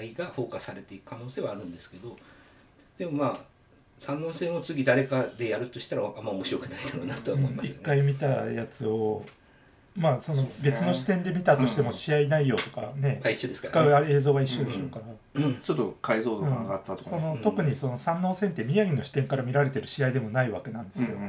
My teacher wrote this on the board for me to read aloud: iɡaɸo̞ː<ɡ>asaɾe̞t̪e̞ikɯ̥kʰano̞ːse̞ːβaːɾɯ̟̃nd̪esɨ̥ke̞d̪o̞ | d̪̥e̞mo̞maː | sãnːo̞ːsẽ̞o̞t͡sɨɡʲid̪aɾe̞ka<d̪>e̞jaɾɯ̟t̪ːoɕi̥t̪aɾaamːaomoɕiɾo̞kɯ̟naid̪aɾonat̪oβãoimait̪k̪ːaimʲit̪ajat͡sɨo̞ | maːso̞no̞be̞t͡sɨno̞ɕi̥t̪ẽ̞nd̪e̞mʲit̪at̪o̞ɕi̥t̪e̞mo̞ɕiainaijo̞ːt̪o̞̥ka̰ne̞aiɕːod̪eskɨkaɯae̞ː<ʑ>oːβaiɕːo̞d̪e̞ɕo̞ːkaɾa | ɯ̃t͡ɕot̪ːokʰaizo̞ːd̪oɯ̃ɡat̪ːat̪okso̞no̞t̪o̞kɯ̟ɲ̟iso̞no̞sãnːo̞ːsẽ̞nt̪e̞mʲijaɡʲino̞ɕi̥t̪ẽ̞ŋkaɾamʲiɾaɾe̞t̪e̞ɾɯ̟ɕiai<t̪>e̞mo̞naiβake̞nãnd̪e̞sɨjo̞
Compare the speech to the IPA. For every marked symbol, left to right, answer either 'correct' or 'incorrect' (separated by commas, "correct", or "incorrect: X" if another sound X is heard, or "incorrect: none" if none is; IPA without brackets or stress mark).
incorrect: k, correct, incorrect: z, incorrect: d̪